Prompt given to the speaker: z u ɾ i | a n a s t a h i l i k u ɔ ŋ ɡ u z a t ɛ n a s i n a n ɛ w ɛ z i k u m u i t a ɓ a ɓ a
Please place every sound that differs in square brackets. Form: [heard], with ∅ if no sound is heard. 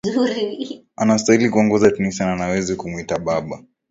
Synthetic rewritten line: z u ɾ i | a n a s t a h i l i k u ɔ ŋ ɡ [ɔ] z a t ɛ n [i] s [a] n a n [a] w ɛ z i k u m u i t a ɓ a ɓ a